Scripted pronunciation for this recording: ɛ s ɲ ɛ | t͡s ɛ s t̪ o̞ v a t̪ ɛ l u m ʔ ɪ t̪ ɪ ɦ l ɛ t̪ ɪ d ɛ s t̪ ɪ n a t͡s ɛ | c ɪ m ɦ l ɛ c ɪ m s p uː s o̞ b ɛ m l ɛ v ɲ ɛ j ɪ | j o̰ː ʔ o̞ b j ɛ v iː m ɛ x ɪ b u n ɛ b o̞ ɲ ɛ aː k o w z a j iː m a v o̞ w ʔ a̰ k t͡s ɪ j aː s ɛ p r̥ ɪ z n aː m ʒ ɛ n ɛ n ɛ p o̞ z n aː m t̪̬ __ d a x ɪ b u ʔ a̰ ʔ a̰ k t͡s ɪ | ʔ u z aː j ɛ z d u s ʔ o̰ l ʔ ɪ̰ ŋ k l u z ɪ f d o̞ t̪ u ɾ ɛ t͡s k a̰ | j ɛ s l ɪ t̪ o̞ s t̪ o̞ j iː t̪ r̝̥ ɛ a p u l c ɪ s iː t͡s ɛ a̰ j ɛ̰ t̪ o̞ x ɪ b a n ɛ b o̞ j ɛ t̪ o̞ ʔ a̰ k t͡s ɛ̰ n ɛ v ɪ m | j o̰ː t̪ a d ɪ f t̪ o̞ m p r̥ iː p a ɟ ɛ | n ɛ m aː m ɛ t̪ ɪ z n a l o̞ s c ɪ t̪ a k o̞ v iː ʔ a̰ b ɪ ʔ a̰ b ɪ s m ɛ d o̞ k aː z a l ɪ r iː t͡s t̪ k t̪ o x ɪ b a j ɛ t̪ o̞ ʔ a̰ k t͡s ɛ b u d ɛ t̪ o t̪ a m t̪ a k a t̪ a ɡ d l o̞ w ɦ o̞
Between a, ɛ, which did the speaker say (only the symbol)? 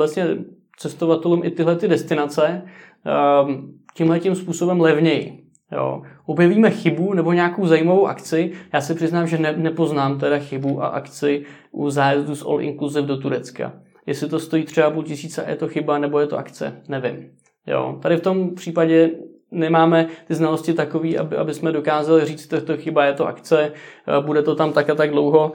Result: ɛ